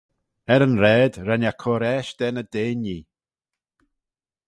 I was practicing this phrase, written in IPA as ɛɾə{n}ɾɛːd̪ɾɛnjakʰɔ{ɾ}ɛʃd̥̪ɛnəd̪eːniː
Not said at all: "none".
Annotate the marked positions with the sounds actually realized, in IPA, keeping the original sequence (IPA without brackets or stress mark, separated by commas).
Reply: n, ɾ